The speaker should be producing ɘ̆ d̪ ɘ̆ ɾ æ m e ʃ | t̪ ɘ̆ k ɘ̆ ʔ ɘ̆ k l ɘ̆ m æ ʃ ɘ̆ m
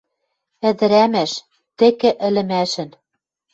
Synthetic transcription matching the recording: ɘ̆ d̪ ɘ̆ ɾ æ m æ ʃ | t̪ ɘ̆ k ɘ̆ ʔ ɘ̆ l ɘ̆ m æ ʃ ɘ̆ n